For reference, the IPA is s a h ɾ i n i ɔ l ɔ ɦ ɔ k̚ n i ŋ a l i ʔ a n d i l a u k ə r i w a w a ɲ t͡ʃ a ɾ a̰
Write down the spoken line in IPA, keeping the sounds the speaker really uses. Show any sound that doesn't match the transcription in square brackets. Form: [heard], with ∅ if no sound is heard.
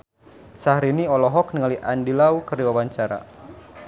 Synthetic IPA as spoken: s a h ɾ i n i ɔ l ɔ ɦ ɔ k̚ n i ŋ a l i ʔ a n d i l a u k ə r i w a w a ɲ t͡ʃ a ɾ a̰